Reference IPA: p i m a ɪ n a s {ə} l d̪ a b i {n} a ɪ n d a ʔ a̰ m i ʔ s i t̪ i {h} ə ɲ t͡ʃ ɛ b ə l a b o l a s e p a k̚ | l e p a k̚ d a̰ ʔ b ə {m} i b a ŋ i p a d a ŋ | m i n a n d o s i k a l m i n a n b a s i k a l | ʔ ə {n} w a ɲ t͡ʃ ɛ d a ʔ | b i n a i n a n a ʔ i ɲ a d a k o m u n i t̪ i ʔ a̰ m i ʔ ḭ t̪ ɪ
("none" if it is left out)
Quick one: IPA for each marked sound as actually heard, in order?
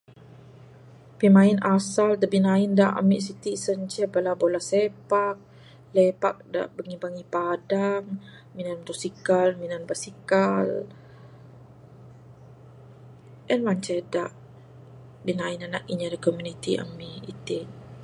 a, n, s, ŋ, n

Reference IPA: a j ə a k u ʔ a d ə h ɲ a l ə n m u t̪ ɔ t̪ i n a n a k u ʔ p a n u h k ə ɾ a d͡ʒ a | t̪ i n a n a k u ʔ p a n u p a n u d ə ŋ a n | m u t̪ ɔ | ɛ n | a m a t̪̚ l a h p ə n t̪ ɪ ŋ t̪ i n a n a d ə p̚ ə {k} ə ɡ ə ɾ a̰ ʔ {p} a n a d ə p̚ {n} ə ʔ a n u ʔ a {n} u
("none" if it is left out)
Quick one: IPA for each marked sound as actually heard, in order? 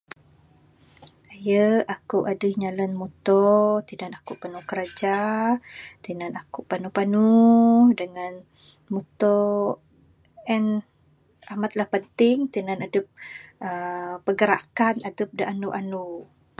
p, k, d, n

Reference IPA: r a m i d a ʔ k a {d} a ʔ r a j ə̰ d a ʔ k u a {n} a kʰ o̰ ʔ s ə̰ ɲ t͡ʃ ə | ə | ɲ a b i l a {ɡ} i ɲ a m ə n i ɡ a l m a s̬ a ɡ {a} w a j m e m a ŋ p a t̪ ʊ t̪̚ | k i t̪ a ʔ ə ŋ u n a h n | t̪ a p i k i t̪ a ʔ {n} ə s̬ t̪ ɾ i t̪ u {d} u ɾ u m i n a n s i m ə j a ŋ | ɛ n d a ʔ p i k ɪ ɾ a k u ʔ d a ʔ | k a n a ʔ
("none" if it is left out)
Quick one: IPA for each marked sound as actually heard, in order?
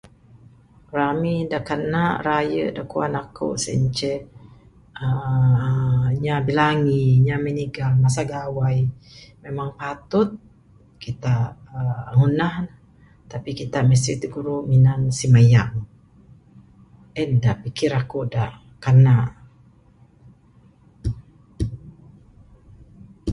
n, n, ŋ, a, m, ɡ

